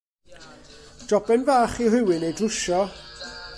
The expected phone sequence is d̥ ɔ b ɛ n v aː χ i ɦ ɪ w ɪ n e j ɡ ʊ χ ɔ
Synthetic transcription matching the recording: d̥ ɔ b ɛ n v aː χ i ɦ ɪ w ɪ n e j d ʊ ʃ ɔ